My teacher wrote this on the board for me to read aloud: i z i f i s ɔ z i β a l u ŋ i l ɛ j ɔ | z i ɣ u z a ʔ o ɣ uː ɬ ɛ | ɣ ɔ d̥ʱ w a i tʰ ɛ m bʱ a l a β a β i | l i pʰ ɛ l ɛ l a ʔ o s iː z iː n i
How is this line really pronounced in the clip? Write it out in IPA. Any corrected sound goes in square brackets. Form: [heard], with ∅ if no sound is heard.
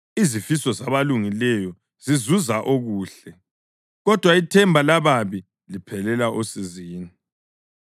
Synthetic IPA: i z i f i s ɔ z [a] β a l u ŋ i l ɛ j ɔ | z i [z] u z a ʔ o ɣ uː ɬ ɛ | ɣ ɔ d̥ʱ w a i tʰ ɛ m bʱ a l a β a β i | l i pʰ ɛ l ɛ l a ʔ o s [i] z iː n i